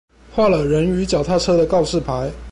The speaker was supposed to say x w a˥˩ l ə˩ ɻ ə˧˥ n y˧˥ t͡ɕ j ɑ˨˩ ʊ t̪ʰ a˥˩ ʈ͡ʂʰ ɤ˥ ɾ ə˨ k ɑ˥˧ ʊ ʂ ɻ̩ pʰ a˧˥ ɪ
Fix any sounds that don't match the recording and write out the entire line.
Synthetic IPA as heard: x w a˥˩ l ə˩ ɻ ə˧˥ n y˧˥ t͡ɕ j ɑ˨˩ ʊ t̪ʰ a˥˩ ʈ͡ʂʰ ɤ˥ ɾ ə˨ k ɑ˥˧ ʊ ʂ ɻ̩ pʰ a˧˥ ɪ